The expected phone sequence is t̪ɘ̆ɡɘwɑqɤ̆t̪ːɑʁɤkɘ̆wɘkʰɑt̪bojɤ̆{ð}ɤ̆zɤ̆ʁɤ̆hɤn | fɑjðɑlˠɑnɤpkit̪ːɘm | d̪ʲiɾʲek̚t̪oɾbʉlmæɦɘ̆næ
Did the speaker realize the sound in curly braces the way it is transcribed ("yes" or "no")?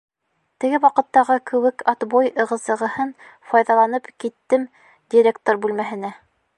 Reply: no